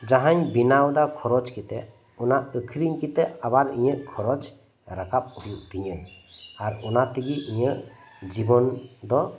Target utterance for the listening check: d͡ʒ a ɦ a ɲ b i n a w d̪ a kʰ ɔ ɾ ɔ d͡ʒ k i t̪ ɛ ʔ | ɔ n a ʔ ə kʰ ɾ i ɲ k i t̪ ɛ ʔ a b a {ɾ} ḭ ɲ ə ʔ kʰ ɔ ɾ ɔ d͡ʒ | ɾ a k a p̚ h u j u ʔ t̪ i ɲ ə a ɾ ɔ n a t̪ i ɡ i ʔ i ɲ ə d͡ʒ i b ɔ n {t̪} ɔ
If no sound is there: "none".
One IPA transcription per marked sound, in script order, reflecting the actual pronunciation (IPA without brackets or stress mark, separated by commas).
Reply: ɾ, d̪